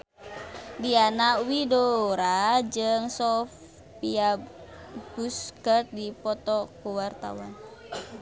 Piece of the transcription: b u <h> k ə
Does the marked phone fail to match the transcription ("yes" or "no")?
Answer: yes